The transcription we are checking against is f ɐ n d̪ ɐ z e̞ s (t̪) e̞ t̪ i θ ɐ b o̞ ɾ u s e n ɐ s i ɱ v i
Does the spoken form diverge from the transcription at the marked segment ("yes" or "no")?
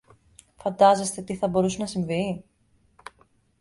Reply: no